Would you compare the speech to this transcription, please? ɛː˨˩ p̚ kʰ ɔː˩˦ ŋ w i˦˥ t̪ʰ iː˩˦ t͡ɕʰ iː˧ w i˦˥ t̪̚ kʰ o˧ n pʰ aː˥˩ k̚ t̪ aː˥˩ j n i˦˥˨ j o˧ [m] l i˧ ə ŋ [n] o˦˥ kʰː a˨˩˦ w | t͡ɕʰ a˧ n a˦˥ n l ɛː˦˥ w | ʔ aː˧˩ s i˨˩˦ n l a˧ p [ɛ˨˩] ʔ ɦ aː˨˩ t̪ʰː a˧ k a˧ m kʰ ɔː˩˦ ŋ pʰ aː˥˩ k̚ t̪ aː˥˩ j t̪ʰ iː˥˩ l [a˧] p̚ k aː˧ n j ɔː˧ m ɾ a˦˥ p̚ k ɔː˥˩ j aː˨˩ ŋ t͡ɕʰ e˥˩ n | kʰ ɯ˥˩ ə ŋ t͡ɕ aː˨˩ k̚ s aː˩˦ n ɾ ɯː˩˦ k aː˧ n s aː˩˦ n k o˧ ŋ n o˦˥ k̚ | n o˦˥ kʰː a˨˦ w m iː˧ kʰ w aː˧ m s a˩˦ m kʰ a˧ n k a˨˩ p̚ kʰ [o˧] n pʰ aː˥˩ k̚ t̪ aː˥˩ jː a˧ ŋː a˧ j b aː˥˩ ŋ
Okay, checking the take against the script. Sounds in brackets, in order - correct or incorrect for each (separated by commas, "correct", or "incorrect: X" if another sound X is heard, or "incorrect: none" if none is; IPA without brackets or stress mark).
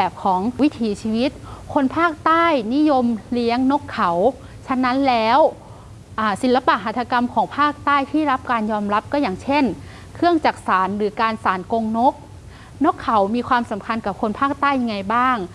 correct, correct, incorrect: a˨˩, incorrect: a˦˥, correct